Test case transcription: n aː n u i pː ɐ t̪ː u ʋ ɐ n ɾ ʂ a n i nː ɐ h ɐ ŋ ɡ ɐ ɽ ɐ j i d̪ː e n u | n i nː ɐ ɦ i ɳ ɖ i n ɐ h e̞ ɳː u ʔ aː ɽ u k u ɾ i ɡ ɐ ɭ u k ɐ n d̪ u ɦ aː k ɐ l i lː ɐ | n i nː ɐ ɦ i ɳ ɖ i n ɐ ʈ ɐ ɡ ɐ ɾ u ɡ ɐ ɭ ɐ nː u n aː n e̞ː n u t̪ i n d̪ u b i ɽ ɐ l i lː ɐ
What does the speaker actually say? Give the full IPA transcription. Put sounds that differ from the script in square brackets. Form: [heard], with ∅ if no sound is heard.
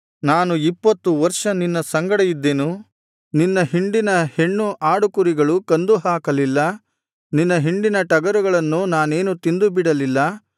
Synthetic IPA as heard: n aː n u i pː ɐ t̪ː u ʋ ɐ [∅] ɾ ʂ [ɐ] n i nː ɐ [s] ɐ ŋ ɡ ɐ ɽ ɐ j i d̪ː e n u | n i nː ɐ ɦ i ɳ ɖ i n ɐ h e̞ ɳː u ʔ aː ɽ u k u ɾ i ɡ ɐ ɭ u k ɐ n d̪ u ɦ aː k ɐ l i lː ɐ | n i nː ɐ ɦ i ɳ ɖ i n ɐ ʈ ɐ ɡ ɐ ɾ u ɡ ɐ ɭ ɐ nː u n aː n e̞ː n u t̪ i n d̪ u b i ɽ ɐ l i lː ɐ